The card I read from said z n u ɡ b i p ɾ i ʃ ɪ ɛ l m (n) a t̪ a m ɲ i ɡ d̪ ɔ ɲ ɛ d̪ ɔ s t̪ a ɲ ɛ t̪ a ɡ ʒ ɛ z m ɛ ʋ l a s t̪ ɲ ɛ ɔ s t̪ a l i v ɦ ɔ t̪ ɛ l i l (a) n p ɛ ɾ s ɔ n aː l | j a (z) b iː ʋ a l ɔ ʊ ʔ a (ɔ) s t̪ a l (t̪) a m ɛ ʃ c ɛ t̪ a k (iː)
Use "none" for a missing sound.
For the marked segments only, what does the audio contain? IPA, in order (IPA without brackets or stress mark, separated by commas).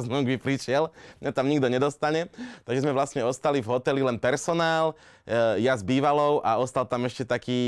ɲ, ɛ, z, ɔ, t̪, iː